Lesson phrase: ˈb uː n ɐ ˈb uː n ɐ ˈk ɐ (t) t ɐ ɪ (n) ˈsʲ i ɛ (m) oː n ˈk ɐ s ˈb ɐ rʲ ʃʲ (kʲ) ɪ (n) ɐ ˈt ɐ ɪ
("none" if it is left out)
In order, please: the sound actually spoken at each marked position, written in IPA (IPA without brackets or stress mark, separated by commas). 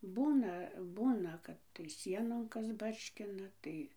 t, none, n, kʲ, n